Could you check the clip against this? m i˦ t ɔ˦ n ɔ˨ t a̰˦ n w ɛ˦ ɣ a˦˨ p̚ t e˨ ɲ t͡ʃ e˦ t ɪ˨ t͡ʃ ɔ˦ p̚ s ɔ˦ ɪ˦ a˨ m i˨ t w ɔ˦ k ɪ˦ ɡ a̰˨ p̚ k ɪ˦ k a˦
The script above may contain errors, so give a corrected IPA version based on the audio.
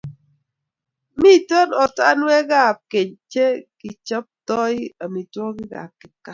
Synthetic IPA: m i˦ t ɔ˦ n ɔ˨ t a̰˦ n w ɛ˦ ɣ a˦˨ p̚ k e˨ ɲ t͡ʃ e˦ k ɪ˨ t͡ʃ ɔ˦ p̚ t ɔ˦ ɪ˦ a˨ m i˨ t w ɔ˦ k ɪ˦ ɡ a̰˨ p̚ k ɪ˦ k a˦